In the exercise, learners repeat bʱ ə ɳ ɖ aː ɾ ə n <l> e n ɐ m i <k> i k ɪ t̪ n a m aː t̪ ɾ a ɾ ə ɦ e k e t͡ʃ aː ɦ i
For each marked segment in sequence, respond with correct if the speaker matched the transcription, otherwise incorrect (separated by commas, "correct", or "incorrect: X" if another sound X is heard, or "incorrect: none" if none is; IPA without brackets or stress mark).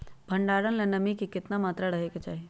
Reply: correct, correct